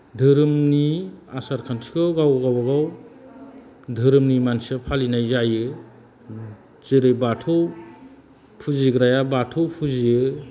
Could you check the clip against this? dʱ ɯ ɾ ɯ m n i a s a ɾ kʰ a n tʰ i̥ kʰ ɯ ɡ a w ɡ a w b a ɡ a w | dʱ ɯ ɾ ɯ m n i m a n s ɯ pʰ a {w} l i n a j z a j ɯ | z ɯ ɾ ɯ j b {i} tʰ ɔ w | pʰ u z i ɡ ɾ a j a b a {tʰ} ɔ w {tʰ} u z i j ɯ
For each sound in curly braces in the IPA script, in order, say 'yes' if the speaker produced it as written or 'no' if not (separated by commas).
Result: no, no, yes, no